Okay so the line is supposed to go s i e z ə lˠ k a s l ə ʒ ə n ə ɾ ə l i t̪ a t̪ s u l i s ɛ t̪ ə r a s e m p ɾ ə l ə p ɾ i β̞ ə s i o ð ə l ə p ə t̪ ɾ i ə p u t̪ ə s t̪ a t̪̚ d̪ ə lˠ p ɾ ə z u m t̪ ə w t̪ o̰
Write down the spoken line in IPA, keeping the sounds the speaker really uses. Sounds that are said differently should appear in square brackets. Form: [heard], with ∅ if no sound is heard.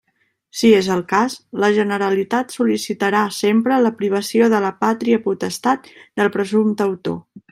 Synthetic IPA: s i e z ə lˠ k a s l ə ʒ ə n ə ɾ ə l i t̪ a t̪ s u l i s [i] t̪ ə [ɾ] a s e m p ɾ ə l ə p ɾ i β̞ ə s i o ð ə l ə p [a] t̪ ɾ i ə p u t̪ ə s t̪ a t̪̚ d̪ ə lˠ p ɾ ə z u m t̪ ə w t̪ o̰

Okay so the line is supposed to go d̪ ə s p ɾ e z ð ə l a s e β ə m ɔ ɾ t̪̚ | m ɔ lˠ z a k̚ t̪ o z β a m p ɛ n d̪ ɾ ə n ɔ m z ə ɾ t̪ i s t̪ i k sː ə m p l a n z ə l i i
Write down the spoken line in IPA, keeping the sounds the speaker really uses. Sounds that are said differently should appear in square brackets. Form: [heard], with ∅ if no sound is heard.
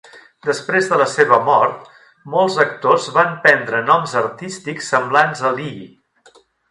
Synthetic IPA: d̪ ə s p ɾ e z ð ə l [ə] s e β ə m ɔ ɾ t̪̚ | m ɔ lˠ z [ə] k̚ t̪ o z β a m p ɛ n d̪ ɾ ə n ɔ m z ə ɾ t̪ i s t̪ i k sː ə m [b] l a n z ə l i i

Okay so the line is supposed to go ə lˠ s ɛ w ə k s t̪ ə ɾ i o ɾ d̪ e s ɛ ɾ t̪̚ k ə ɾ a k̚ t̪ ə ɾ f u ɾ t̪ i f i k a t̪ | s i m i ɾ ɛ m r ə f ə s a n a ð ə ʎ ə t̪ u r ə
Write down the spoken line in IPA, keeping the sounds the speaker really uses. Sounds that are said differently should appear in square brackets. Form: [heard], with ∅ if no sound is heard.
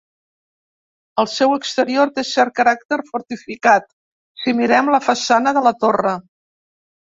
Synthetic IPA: ə lˠ s ɛ w ə k s t̪ ə ɾ i o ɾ [t̪] e s ɛ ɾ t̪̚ k ə ɾ a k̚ t̪ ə ɾ f u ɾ t̪ i f i k a t̪ | s i m i ɾ ɛ m [l] ə f ə s a n [ə] ð ə [l] ə t̪ [o] r ə

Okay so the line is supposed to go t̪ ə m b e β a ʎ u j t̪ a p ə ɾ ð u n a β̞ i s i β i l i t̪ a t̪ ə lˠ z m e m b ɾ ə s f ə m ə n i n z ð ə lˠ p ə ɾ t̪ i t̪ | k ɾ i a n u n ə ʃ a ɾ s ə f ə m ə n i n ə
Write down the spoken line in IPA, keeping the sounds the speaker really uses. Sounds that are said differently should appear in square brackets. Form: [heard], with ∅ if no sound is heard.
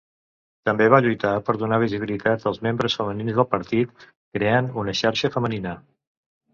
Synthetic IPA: t̪ ə m b e β a ʎ u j t̪ a p ə ɾ ð u n a β̞ i [z] i β i l i t̪ a t̪ ə lˠ z m e m b ɾ ə s f ə m ə n i n z ð ə lˠ p ə ɾ t̪ i t̪ | k ɾ [e] a n u n ə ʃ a ɾ [ʃ] ə f ə m ə n i n ə

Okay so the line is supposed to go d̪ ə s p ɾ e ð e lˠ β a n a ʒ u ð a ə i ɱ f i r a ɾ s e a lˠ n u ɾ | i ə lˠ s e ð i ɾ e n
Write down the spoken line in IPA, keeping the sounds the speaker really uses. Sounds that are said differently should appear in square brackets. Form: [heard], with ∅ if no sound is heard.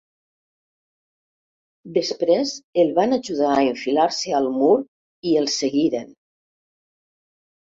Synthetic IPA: d̪ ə s p ɾ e [z] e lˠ β a n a ʒ u ð a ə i ɱ f i [l] a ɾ s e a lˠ [m] u ɾ | i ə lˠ s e [ɣ] i ɾ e n

